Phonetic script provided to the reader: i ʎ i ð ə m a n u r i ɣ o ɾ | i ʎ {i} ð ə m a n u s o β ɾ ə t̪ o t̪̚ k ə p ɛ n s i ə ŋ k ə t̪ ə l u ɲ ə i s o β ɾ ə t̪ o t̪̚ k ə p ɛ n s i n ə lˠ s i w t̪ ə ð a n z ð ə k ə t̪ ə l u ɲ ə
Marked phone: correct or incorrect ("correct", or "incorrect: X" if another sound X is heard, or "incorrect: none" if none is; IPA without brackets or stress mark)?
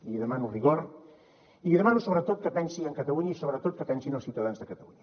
correct